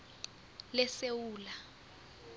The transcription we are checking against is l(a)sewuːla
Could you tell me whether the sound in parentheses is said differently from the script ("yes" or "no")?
yes